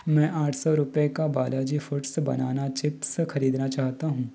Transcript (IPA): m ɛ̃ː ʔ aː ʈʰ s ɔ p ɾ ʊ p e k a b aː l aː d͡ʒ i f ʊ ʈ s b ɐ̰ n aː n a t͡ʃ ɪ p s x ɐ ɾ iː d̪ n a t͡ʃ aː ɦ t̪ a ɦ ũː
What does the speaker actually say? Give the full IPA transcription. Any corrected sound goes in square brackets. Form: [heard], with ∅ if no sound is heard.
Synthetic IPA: m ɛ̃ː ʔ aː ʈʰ s ɔ [∅] ɾ ʊ p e k a b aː l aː d͡ʒ i f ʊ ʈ s b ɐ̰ n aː n a t͡ʃ ɪ p s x ɐ ɾ iː d̪ n a t͡ʃ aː ɦ t̪ a ɦ ũː